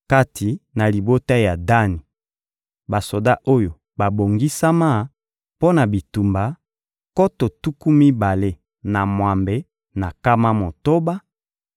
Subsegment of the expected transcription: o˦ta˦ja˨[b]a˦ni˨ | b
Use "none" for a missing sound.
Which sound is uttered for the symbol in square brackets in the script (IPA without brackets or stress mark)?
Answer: d